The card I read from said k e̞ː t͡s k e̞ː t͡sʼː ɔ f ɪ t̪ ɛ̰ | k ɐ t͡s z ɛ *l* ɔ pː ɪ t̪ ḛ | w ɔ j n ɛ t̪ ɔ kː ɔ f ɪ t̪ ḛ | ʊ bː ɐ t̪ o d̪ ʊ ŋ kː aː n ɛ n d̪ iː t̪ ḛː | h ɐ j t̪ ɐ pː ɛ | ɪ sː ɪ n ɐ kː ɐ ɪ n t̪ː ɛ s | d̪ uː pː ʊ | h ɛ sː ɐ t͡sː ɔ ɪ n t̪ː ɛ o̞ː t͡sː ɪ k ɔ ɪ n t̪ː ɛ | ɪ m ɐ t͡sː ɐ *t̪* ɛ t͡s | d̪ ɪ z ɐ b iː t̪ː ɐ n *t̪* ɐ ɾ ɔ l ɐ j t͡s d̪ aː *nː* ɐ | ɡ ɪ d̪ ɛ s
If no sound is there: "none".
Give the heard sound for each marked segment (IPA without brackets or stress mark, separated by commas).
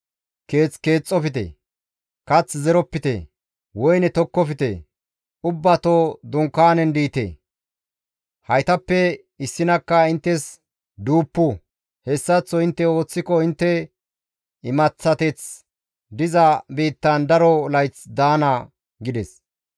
ɾ, t̪, d̪, n